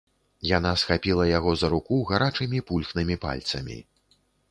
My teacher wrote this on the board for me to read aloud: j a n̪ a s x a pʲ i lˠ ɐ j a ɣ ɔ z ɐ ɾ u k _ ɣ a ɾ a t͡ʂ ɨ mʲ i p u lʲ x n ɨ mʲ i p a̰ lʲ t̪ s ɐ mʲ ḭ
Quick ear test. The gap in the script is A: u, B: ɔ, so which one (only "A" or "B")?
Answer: A